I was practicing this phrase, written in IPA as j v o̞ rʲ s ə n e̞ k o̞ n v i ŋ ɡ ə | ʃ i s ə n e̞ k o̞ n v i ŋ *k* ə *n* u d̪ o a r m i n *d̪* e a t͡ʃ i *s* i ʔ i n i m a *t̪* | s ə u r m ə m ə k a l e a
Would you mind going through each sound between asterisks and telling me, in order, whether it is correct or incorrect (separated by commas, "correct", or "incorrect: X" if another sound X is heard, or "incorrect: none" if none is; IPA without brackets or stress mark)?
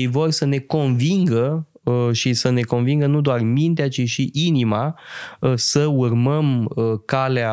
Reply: incorrect: ɡ, correct, incorrect: t̪, incorrect: ʃ, incorrect: none